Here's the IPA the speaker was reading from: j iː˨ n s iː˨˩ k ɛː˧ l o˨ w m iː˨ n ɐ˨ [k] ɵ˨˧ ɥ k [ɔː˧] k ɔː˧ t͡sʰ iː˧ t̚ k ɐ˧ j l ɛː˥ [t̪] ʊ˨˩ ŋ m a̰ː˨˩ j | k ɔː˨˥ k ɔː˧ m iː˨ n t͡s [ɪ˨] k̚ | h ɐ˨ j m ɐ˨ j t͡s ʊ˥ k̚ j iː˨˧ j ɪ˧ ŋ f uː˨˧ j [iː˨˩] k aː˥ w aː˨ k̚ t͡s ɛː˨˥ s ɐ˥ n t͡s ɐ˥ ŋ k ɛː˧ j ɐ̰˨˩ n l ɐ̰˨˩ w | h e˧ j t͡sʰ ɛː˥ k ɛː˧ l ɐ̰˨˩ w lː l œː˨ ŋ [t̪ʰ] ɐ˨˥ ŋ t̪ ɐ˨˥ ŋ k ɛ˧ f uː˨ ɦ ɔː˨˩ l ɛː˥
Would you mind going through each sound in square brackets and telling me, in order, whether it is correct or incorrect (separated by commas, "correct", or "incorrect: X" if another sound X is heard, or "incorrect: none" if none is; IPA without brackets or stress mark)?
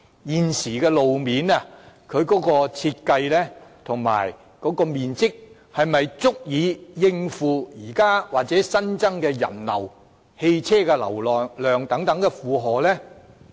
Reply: incorrect: kʰ, incorrect: ɔː˨˥, incorrect: t̪ʰ, incorrect: ɪ˥, correct, incorrect: t̪